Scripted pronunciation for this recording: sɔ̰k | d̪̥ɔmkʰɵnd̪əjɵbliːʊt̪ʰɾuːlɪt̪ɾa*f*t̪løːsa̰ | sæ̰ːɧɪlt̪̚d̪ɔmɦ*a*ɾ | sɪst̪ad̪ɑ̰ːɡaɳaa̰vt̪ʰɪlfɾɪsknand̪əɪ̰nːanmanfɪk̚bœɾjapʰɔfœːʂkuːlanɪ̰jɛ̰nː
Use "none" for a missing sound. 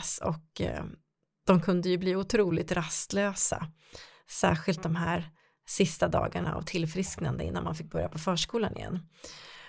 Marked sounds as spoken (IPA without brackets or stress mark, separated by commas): s, æ